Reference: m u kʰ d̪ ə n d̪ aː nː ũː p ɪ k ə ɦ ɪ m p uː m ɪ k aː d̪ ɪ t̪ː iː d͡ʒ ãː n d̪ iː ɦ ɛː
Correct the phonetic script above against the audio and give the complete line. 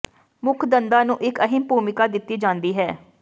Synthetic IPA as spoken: m ʊ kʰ d̪ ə n d̪ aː n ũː ʔ ɪ k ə ɦ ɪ m p uː m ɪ k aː d̪ ɪ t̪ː iː d͡ʒ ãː n d̪ iː ɦ ɛː